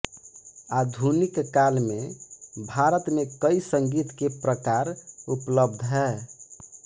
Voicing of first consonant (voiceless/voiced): voiced